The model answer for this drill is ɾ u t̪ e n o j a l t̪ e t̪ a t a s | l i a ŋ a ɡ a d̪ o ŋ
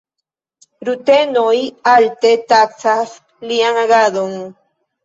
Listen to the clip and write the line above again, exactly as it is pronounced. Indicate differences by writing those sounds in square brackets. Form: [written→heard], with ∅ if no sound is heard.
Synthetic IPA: ɾ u t̪ e n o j a l t̪ e t̪ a [t→t͡s] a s | l i a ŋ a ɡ a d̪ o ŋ

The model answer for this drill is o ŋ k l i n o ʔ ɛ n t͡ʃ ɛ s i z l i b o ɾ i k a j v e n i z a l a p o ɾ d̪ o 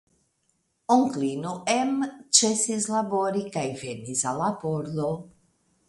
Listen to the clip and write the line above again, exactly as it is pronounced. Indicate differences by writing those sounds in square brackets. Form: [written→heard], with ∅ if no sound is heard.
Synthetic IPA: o ŋ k l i n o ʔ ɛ [n→m] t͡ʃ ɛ s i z l [i→a] b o ɾ i k a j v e n i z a l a p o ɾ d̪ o

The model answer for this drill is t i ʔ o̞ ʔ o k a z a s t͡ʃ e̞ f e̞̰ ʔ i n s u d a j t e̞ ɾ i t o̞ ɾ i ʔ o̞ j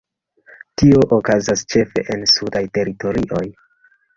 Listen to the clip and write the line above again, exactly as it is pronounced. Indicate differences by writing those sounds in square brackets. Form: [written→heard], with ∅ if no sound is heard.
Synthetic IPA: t i [ʔ→∅] o̞ ʔ o k a z a s t͡ʃ e̞ f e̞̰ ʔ [i→e] n s u d a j t e̞ ɾ i t o̞ ɾ i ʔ o̞ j

